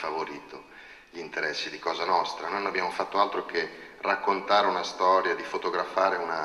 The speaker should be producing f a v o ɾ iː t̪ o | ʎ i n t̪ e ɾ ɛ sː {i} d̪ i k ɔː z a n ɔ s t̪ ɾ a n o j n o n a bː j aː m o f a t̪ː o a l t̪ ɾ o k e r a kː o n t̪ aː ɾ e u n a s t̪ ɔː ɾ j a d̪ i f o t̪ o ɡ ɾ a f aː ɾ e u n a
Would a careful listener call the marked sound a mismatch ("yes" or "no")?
no